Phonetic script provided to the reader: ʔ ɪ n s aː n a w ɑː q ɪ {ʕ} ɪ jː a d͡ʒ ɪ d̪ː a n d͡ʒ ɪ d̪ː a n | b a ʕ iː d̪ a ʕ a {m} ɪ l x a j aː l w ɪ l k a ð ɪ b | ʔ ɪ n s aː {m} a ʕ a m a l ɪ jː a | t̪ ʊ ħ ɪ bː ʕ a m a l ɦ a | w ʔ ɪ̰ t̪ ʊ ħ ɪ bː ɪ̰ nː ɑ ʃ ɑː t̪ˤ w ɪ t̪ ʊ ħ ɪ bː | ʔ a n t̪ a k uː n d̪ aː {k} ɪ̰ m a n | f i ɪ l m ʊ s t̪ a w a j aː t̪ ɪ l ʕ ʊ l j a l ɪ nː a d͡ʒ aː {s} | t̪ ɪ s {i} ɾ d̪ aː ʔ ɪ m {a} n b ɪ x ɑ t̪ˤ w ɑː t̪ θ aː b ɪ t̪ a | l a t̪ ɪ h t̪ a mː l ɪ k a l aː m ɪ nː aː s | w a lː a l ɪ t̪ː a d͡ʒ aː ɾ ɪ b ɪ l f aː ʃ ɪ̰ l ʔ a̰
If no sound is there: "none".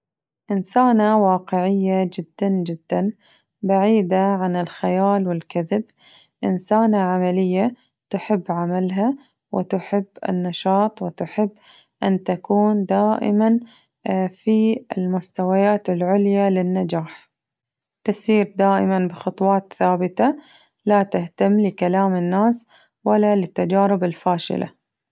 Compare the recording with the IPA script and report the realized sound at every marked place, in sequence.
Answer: ʕ, n, n, ʔ, ħ, iː, a

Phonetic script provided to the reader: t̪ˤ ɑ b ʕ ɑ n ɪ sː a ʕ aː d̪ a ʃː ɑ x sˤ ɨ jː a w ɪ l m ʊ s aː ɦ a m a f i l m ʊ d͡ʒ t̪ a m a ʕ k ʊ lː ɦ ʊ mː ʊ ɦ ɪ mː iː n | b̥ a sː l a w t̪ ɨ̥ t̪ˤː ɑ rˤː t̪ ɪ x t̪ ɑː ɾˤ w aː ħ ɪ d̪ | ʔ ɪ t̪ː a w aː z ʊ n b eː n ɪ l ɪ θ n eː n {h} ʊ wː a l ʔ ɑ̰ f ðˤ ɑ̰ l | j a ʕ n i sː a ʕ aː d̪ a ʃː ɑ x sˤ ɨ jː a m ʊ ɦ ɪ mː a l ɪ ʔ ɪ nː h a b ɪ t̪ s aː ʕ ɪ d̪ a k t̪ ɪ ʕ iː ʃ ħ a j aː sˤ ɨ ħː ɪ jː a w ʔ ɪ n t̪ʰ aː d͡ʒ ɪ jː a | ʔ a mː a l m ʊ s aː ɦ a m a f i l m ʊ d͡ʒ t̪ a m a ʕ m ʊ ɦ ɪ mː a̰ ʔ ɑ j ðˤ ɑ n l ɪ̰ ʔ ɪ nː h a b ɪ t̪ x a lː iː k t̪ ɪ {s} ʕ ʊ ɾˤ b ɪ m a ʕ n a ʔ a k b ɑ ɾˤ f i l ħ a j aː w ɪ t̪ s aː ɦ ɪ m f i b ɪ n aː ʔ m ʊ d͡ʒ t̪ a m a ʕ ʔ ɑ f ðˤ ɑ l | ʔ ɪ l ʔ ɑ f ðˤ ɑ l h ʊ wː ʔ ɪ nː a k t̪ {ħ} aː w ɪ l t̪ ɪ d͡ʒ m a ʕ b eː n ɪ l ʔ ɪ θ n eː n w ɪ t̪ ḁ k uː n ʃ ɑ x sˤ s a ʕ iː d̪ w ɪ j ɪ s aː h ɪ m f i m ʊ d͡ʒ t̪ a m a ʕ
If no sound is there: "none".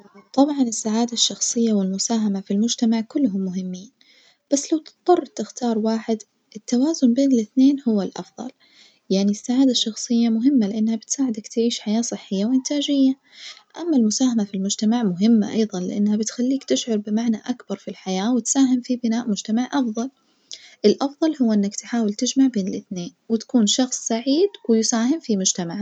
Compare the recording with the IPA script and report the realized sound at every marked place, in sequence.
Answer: h, ʃ, ħ

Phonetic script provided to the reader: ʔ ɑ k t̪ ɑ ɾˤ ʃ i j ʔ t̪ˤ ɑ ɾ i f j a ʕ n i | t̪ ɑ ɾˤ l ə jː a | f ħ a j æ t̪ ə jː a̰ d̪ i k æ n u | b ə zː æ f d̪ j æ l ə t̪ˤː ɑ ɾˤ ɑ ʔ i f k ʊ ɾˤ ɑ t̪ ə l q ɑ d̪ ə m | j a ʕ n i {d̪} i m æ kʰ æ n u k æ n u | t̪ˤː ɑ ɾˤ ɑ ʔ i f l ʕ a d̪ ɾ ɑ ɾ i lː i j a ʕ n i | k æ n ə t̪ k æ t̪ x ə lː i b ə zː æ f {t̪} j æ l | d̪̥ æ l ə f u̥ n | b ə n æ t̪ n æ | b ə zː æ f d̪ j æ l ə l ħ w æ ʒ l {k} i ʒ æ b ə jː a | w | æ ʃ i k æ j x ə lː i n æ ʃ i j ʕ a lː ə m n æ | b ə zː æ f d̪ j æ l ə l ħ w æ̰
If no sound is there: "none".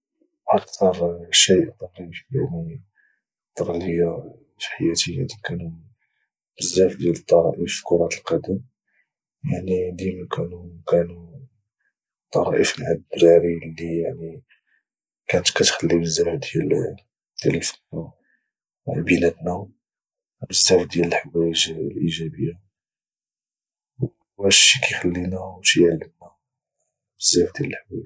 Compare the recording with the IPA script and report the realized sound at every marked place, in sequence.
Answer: d̪, d̪, ʔ

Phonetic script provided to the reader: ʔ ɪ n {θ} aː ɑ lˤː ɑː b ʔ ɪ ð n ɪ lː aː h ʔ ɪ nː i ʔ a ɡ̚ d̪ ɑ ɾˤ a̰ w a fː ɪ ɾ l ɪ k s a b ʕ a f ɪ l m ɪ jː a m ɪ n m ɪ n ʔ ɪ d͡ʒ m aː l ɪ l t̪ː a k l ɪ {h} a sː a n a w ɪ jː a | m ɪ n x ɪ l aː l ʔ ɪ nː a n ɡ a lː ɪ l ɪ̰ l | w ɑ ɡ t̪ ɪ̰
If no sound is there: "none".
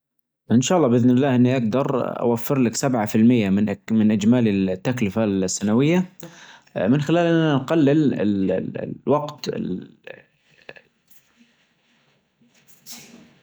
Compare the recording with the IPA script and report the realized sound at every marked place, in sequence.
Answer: ʃ, f

